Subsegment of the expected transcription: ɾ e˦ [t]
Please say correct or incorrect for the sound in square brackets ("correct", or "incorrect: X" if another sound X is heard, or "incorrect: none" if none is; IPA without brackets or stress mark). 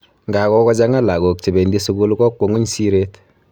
correct